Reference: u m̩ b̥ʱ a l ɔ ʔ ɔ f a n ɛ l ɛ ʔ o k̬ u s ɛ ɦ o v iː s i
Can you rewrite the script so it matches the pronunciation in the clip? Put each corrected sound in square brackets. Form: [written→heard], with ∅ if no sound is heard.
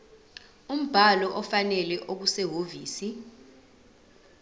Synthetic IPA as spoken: u m̩ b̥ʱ a l ɔ ʔ ɔ f a n ɛ l ɛ ʔ o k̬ u s ɛ ɦ o v iː s i